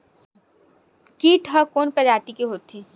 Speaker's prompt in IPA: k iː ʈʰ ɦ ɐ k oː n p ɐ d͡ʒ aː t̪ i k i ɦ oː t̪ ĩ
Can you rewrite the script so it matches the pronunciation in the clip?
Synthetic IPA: k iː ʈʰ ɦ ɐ k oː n p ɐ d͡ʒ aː t̪ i k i ɦ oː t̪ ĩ